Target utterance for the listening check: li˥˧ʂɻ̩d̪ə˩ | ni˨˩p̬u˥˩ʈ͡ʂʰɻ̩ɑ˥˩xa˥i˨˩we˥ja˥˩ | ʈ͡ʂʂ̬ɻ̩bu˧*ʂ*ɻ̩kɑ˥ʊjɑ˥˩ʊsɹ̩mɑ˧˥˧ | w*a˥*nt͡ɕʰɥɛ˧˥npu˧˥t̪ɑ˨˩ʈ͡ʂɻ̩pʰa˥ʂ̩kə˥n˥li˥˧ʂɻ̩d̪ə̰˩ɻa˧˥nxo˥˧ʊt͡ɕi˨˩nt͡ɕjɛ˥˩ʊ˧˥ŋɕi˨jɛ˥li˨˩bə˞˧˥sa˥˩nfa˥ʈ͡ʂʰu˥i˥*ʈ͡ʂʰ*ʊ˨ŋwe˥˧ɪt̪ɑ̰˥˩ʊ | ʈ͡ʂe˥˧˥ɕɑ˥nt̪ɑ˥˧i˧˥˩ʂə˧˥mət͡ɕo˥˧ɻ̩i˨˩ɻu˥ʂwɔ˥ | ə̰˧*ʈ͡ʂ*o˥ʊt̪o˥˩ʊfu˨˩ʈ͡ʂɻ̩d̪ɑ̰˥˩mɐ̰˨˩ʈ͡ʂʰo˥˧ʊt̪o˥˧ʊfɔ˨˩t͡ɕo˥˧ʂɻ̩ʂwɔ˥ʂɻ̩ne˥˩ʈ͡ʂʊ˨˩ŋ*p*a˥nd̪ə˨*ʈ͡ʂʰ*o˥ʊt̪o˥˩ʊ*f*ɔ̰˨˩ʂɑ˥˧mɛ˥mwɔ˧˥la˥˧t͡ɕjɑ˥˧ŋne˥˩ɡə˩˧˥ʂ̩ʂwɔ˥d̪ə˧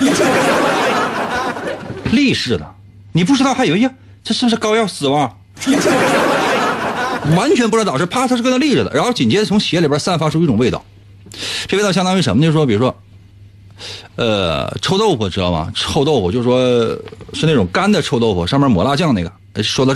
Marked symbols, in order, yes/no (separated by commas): yes, no, no, no, no, yes, yes